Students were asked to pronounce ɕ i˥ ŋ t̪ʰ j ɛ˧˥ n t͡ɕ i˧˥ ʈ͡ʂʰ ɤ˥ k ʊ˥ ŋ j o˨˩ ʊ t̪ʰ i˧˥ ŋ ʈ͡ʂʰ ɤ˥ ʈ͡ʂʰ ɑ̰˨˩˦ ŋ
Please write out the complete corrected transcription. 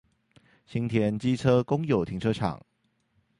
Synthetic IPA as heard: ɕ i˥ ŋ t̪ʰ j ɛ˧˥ n t͡ɕ i˥ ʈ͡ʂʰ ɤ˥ k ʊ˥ ŋ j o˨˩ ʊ t̪ʰ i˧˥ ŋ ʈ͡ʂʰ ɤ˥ ʈ͡ʂʰ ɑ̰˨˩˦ ŋ